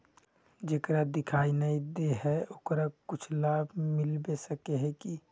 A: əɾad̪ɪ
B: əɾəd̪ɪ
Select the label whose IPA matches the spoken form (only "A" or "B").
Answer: A